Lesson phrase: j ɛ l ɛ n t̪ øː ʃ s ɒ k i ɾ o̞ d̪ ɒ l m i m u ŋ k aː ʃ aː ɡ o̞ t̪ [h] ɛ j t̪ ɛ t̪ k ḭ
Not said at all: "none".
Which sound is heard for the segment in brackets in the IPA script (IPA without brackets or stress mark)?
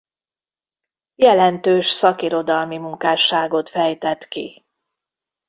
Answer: f